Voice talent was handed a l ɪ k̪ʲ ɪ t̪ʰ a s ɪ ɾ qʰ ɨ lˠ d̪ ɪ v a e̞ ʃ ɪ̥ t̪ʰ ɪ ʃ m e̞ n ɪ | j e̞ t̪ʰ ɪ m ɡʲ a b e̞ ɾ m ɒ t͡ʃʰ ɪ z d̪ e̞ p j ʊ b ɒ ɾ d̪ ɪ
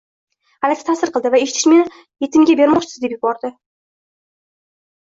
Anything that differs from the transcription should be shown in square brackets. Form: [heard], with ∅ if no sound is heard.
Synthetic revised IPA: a l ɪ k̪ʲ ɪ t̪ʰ a s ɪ ɾ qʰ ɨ lˠ d̪ ɪ v a e̞ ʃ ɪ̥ t̪ʰ ɪ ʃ m e̞ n ɪ | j e̞ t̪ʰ ɪ m ɡʲ a b e̞ ɾ m ɒ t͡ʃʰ ɪ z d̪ e̞ p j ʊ b ɒ ɾ d̪ ɪ